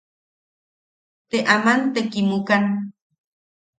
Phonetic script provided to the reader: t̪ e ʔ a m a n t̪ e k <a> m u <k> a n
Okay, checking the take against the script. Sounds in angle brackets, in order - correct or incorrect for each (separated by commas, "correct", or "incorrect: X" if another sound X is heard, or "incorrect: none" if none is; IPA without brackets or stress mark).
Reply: incorrect: i, correct